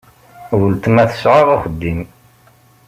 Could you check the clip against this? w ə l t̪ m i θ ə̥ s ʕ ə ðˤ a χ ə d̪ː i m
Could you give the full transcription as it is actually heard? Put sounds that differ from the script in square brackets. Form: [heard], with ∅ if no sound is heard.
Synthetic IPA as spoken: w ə l t̪ m [æ] θ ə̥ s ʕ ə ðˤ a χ ə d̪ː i m

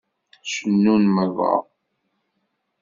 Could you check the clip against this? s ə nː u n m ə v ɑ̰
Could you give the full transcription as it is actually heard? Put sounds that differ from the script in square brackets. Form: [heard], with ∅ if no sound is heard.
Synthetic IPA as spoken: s ə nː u n m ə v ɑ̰

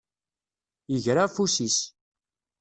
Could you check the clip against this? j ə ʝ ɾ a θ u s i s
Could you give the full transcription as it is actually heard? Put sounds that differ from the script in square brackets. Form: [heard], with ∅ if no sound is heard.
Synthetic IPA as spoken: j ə ʝ ɾ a [f] u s i s

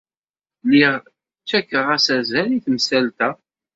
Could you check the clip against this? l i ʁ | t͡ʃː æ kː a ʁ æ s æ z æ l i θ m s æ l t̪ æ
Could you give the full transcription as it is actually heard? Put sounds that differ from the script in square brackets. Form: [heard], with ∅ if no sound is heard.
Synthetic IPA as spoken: l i ʁ | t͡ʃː æ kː [ə] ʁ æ s æ z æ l i θ m s æ l t̪ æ

